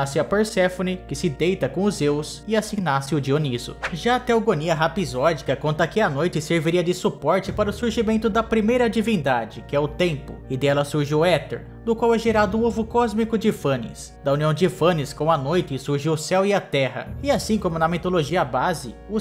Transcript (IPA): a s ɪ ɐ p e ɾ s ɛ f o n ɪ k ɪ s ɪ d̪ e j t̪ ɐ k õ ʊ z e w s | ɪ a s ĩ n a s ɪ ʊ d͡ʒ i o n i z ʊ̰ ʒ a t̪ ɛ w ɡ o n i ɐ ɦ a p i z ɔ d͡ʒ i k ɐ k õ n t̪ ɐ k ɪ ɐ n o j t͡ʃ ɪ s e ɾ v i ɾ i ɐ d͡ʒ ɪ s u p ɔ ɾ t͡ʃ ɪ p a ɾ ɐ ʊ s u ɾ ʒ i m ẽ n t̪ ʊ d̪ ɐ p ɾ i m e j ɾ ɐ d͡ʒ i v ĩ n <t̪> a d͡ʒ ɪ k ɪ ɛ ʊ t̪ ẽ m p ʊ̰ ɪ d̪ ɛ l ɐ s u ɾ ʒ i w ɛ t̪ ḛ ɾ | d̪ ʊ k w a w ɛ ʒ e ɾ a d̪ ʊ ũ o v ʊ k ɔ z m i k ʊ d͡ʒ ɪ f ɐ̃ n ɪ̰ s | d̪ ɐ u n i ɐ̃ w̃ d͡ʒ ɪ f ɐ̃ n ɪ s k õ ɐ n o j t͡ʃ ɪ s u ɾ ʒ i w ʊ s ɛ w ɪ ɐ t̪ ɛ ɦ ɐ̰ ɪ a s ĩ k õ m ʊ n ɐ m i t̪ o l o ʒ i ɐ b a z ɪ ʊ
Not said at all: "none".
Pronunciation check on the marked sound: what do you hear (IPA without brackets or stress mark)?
d̪